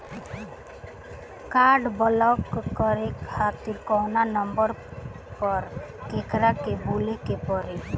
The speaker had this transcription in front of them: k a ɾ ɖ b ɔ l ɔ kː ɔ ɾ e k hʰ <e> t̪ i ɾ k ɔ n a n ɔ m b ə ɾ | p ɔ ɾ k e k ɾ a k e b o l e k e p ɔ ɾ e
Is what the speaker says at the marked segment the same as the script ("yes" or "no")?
no